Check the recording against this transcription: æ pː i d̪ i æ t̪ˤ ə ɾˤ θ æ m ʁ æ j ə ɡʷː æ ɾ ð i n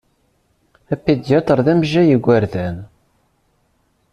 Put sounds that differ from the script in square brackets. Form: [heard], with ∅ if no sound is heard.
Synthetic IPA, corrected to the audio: æ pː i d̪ [j] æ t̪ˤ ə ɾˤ [ð] æ m [ʒ] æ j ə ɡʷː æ ɾ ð [æ] n